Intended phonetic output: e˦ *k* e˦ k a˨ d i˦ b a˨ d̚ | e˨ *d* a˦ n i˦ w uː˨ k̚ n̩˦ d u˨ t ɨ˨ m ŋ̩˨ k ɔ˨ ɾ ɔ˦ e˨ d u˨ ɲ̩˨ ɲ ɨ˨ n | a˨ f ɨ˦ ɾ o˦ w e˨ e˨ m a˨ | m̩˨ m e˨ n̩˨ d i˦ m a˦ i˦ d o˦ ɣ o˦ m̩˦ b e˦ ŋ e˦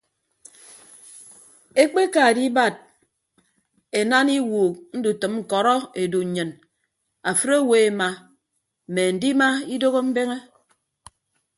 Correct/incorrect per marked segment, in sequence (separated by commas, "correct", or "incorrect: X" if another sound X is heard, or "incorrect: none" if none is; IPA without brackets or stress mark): incorrect: k͡p, incorrect: n